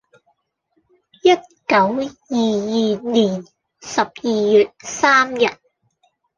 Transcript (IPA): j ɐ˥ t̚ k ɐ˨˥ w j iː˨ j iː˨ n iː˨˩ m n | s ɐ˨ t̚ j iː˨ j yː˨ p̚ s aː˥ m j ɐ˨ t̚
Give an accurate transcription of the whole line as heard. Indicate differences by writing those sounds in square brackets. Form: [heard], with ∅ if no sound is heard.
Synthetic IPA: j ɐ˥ t̚ k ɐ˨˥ w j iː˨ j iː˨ n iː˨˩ [∅] n | s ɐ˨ [p̚] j iː˨ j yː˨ [t̚] s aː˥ m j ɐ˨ t̚

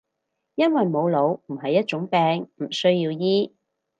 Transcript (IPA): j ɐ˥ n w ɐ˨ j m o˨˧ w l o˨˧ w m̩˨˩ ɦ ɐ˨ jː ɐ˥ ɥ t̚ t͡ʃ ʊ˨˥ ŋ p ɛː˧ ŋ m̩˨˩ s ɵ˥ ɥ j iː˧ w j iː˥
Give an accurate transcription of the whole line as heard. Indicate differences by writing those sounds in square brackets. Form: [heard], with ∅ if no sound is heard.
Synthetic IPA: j ɐ˥ n w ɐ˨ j m o˨˧ w l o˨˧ w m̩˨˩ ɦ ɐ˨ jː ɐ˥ [∅] t̚ t͡ʃ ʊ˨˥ ŋ p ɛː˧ ŋ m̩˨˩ s ɵ˥ ɥ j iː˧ w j iː˥

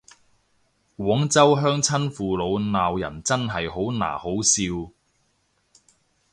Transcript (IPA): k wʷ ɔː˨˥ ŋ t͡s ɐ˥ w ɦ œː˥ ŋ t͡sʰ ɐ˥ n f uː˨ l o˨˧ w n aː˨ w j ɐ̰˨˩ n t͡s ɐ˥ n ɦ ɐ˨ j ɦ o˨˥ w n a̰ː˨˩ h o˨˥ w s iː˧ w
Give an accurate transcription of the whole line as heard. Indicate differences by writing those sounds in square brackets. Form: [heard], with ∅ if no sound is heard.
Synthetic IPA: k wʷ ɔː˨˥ ŋ t͡s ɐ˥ w ɦ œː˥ ŋ t͡sʰ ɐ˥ n f uː˨ l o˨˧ w n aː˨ w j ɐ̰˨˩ n t͡s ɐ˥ n ɦ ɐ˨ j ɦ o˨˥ w n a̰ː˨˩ h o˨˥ w s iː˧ w

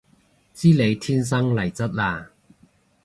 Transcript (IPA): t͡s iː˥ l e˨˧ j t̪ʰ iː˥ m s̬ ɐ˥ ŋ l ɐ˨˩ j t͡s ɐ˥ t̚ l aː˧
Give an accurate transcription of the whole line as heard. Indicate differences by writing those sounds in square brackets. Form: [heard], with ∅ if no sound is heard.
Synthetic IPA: t͡s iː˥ l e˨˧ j t̪ʰ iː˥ [n] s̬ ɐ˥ ŋ l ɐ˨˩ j t͡s ɐ˥ t̚ l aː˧

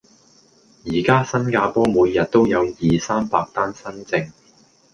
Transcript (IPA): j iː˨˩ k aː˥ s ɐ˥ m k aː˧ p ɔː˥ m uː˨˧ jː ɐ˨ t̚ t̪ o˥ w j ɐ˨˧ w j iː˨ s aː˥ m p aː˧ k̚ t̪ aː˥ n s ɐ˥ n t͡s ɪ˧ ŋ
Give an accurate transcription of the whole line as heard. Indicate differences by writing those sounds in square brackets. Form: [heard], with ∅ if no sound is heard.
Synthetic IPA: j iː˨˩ k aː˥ s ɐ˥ [n] k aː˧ p ɔː˥ m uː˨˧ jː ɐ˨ t̚ t̪ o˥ w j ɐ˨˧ w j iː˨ s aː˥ m p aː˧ k̚ t̪ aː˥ n s ɐ˥ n t͡s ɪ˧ ŋ

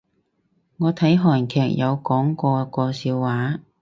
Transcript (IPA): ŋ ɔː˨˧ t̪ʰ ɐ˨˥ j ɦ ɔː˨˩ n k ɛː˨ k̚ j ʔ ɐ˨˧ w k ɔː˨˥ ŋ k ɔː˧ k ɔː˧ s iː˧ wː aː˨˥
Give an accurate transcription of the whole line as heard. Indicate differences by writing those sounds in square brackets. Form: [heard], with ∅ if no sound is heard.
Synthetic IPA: ŋ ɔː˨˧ t̪ʰ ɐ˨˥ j ɦ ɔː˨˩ n [kʰ] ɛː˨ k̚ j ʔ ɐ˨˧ w k ɔː˨˥ ŋ k ɔː˧ k ɔː˧ s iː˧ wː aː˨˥

